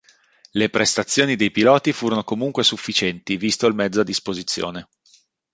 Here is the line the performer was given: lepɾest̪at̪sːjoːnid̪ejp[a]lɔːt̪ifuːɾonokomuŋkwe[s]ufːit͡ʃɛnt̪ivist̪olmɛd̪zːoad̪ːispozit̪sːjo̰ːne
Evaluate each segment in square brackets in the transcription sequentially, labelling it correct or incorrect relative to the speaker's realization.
incorrect: i, correct

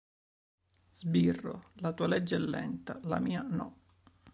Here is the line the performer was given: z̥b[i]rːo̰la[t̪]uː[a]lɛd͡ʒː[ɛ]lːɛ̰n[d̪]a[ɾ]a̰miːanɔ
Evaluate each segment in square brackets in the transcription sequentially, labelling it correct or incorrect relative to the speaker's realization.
correct, correct, correct, correct, incorrect: t̪, incorrect: l

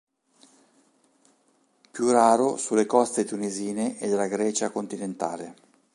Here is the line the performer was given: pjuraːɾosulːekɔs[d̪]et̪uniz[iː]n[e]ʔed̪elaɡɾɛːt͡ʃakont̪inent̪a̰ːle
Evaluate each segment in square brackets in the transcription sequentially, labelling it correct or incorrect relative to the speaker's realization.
incorrect: t̪, correct, correct

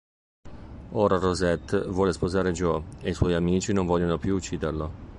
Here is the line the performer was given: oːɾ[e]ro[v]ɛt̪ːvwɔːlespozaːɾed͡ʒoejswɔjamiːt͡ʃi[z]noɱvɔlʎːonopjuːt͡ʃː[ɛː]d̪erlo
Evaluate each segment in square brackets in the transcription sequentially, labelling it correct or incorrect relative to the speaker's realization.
incorrect: a, incorrect: z, incorrect: none, incorrect: iː

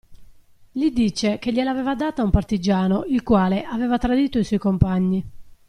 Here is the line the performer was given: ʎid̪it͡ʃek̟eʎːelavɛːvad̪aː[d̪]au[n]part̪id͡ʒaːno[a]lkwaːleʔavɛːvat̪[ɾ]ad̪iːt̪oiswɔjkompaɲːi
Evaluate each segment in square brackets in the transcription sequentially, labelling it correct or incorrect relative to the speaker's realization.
incorrect: t̪, incorrect: m, incorrect: i, correct

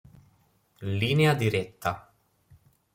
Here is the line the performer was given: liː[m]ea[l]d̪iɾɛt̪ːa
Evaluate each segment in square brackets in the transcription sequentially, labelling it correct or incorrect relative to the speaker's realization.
incorrect: n, incorrect: none

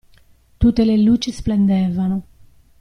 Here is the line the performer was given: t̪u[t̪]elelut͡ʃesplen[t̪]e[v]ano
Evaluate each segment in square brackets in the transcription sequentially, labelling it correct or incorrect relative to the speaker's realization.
correct, incorrect: d̪, correct

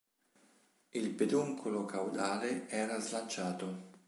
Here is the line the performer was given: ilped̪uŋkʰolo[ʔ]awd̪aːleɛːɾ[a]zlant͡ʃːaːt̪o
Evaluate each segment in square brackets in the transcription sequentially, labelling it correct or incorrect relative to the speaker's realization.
incorrect: k, correct

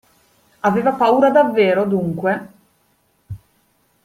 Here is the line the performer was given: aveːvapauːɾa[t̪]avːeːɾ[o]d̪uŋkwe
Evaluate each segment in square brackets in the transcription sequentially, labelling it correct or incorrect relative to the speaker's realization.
incorrect: d̪, correct

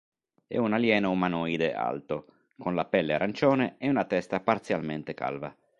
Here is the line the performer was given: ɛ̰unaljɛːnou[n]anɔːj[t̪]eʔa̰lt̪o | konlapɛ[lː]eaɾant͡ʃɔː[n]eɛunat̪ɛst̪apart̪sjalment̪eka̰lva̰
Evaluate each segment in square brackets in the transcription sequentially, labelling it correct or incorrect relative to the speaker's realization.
incorrect: m, incorrect: d̪, correct, correct

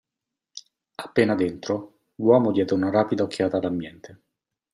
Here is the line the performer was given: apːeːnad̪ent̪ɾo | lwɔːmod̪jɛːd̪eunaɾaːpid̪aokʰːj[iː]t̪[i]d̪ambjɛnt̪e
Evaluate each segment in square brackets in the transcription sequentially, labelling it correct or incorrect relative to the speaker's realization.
incorrect: aː, incorrect: a

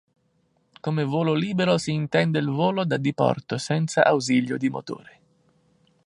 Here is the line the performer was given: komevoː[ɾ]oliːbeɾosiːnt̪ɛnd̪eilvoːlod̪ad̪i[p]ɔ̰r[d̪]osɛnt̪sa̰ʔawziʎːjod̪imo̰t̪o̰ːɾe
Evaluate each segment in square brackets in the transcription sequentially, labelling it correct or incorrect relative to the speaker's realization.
incorrect: l, correct, incorrect: t̪

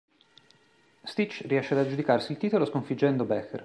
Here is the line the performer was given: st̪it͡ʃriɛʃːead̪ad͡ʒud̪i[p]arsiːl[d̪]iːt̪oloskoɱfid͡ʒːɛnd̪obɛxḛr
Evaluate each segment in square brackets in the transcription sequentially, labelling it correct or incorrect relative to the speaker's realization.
incorrect: k, incorrect: t̪

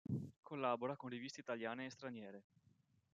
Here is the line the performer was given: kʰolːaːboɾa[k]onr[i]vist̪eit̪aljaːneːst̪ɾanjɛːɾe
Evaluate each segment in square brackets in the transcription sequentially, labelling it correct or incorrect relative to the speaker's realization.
correct, correct

